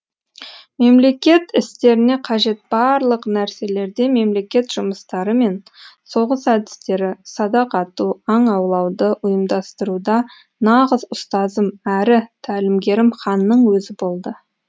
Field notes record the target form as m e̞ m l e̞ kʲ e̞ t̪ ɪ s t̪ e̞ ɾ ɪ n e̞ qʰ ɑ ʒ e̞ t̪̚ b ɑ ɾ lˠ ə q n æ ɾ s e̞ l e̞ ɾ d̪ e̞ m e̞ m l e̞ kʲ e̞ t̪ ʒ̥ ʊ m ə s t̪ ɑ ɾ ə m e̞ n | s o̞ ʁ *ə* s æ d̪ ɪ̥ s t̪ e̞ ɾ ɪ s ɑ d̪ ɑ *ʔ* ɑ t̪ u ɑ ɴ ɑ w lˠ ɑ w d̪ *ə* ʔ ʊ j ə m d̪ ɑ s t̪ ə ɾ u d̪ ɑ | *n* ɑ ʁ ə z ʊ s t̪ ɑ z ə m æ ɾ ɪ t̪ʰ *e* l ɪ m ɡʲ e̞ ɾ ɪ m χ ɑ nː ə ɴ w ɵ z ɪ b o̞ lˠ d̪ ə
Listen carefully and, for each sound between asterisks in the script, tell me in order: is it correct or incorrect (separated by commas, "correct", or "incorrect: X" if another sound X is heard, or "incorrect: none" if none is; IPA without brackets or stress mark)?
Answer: correct, incorrect: q, correct, correct, incorrect: æ